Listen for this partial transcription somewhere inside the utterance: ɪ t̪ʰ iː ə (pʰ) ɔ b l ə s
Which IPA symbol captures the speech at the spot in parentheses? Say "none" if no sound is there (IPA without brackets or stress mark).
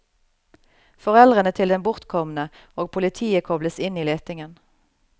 kʰ